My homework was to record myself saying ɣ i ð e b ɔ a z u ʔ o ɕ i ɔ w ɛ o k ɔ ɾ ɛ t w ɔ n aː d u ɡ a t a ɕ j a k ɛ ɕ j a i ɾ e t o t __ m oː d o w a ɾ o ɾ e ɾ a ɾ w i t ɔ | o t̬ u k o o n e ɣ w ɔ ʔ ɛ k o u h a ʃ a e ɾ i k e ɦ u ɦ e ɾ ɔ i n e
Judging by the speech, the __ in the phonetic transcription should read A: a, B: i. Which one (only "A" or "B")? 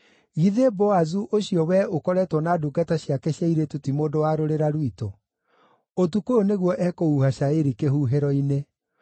B